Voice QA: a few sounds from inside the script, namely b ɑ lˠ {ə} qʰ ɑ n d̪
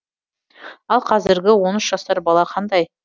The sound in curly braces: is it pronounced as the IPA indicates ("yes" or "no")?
no